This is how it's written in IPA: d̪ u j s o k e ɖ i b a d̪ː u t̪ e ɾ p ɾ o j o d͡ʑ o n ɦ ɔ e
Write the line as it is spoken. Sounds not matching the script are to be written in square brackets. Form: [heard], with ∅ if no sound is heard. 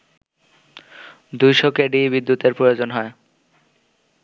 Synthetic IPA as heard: d̪ u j [ʃ] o k e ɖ i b [i] d̪ː u t̪ e ɾ p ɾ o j o d͡ʑ o n ɦ ɔ e